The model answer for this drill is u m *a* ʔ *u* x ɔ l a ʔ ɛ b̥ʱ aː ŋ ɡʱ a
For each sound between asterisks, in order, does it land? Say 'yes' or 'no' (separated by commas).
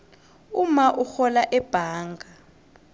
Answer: yes, yes